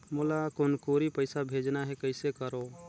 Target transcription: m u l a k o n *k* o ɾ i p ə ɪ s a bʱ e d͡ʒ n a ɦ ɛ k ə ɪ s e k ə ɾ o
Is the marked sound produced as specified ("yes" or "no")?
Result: yes